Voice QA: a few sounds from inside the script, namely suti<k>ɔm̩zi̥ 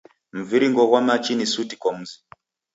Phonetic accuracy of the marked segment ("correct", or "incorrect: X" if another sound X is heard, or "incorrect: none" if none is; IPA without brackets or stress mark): correct